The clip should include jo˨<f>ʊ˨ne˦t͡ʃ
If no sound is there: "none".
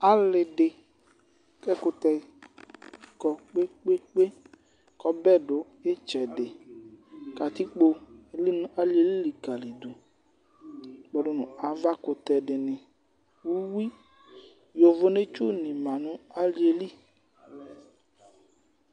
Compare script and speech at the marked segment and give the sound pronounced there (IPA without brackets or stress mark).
v